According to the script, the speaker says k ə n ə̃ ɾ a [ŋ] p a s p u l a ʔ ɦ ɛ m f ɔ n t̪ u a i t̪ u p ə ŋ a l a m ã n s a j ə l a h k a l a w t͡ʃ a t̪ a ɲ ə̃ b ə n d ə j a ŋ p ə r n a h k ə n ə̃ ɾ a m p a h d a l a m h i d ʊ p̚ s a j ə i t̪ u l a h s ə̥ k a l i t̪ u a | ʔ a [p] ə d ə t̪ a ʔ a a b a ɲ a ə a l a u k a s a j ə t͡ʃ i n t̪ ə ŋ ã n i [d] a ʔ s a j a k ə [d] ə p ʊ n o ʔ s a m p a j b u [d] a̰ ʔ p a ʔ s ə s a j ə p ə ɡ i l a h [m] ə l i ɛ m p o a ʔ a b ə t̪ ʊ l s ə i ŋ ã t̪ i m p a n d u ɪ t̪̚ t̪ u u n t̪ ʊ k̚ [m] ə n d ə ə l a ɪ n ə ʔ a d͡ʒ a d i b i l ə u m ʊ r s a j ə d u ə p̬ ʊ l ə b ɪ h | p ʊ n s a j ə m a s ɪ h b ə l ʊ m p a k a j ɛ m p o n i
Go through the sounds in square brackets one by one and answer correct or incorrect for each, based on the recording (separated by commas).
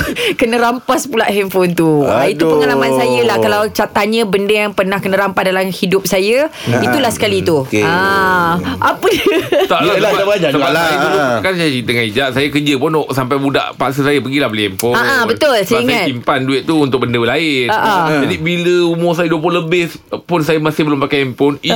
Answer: incorrect, correct, incorrect, incorrect, correct, incorrect, incorrect